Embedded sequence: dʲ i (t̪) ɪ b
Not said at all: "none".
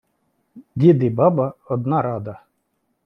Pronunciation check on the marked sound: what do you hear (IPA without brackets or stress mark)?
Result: d̪